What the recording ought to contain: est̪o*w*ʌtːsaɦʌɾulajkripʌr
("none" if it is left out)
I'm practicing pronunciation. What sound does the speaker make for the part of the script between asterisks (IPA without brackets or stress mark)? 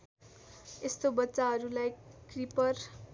b